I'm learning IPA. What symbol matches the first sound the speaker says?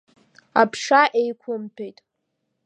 a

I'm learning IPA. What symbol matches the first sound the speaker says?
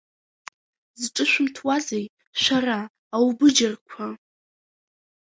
z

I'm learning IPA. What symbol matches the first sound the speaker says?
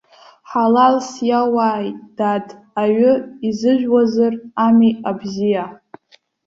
ħ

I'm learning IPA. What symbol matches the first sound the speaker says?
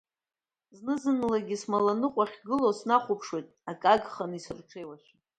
z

